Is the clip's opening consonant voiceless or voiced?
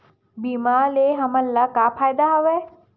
voiced